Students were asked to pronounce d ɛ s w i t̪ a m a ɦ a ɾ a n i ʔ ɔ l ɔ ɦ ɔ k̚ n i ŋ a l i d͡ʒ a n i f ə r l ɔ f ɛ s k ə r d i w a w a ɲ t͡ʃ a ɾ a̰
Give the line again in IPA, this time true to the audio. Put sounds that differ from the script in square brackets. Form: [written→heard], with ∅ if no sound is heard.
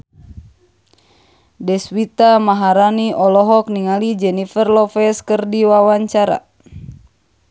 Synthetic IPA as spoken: d ɛ s w i t̪ a m a ɦ a ɾ a n i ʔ ɔ l ɔ ɦ ɔ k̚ n i ŋ a l i d͡ʒ [a→ɛ] n i f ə r l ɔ f ɛ s k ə r d i w a w a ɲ t͡ʃ a ɾ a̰